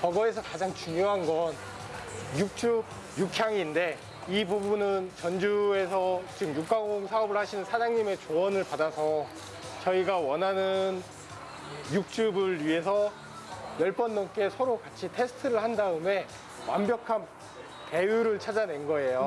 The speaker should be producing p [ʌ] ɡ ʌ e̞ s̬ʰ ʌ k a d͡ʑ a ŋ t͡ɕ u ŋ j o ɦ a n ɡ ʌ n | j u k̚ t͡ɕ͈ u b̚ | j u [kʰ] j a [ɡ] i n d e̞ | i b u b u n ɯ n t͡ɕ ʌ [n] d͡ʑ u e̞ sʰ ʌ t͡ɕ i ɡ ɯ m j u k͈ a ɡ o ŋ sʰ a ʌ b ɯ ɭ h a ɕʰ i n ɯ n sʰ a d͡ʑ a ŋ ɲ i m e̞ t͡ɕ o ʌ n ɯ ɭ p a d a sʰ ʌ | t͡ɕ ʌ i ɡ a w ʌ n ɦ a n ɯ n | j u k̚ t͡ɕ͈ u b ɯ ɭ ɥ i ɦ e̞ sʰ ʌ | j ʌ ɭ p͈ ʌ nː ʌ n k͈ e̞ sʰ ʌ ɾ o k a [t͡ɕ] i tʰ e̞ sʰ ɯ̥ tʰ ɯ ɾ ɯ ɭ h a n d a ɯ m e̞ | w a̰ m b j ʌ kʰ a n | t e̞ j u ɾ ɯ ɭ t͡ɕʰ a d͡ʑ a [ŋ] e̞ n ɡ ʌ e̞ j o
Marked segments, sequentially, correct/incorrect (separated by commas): correct, correct, incorrect, correct, incorrect, incorrect